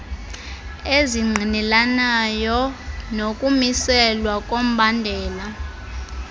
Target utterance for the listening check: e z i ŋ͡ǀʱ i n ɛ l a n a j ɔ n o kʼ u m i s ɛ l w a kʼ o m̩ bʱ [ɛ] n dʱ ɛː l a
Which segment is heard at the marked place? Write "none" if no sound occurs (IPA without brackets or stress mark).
a